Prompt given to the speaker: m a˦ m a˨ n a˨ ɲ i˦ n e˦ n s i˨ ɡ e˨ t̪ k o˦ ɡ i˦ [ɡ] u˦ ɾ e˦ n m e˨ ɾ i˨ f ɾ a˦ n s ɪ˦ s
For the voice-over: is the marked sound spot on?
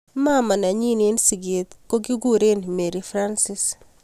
yes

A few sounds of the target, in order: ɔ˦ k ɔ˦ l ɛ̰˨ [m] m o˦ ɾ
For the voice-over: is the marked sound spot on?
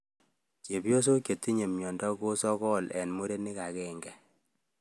no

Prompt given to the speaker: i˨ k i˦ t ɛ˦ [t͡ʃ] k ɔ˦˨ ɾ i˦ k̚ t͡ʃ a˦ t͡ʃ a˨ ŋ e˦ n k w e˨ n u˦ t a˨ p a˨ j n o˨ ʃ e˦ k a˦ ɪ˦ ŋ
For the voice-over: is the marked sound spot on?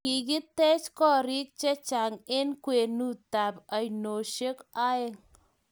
yes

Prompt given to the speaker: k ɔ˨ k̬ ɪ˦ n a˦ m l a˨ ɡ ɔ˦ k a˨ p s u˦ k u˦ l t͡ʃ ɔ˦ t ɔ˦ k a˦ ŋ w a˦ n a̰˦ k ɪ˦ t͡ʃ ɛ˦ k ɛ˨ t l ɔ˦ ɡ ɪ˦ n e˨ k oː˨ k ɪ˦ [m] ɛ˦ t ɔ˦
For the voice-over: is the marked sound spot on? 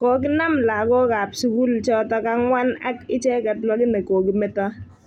yes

